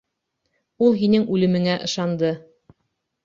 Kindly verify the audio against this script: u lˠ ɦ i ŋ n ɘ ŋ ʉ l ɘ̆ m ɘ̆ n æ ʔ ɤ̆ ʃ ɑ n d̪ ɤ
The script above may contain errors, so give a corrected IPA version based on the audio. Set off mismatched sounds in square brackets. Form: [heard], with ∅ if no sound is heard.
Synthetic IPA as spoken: u lˠ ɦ i [∅] n ɘ ŋ ʉ l ɘ̆ m ɘ̆ [ŋ] æ ʔ ɤ̆ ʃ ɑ n d̪ ɤ